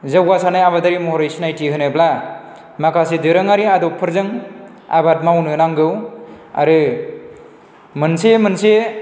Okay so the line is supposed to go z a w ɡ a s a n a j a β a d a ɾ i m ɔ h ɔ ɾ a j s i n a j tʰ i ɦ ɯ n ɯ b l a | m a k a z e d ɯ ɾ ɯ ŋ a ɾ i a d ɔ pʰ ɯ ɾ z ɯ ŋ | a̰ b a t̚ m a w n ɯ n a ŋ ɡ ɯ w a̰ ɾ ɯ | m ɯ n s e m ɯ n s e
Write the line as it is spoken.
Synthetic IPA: z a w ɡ a s a n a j a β a d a ɾ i m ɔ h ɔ ɾ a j s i n a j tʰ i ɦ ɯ n ɯ b l a | m a k a s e d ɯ ɾ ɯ ŋ a ɾ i a d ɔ pʰ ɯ ɾ z ɯ ŋ | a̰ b a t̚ m a w n ɯ n a ŋ ɡ ɯ w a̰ ɾ ɯ | m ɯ n s e m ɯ n s e